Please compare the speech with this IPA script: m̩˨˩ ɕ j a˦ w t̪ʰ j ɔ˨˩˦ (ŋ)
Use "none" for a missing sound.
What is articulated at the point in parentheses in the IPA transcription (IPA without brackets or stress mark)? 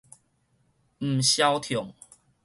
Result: ŋ